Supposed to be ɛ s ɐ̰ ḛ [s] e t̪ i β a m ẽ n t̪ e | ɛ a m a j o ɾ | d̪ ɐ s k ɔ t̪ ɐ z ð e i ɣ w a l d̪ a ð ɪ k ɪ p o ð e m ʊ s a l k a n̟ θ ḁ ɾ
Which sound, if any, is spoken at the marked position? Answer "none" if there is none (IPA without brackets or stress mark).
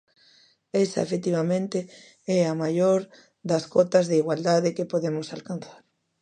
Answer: f